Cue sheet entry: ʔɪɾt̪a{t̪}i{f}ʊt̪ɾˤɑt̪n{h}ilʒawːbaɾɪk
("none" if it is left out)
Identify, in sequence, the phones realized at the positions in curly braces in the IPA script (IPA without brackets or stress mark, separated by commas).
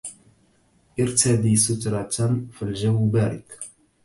d̪, s, f